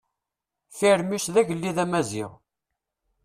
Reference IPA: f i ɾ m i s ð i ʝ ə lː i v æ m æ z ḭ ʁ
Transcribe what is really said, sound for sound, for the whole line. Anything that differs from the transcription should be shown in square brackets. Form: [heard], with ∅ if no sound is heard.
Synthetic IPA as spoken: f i ɾ m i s ð [æ] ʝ ə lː i [ð] æ m æ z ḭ ʁ